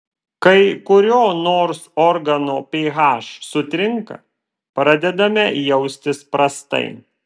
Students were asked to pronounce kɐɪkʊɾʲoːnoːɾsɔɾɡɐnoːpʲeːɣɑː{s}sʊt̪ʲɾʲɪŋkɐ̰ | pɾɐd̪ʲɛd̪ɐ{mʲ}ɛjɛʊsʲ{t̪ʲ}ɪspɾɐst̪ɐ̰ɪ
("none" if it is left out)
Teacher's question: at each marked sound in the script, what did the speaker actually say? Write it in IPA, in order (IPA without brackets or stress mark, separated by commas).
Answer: ʃ, mʲ, t̪ʲ